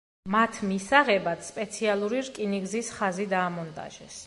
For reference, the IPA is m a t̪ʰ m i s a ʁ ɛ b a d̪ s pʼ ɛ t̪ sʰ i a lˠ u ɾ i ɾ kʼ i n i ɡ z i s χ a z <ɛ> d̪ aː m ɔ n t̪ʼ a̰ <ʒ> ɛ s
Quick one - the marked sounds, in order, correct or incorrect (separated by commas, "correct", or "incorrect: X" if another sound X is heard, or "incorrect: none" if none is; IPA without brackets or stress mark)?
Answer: incorrect: i, correct